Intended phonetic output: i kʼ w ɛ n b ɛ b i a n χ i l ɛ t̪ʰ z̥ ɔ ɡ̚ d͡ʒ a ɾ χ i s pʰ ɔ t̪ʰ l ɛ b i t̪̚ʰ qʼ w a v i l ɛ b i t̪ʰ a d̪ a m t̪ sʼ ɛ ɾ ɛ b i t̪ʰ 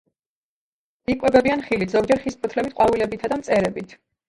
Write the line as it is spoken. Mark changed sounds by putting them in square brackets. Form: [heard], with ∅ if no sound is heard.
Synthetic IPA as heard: i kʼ w ɛ [∅] b ɛ b i a n χ i l [i] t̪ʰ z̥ ɔ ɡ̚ d͡ʒ [ɛ] ɾ χ i s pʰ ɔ t̪ʰ l ɛ b i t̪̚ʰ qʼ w a v i l ɛ b i t̪ʰ a d̪ a m t̪ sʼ ɛ ɾ ɛ b i t̪ʰ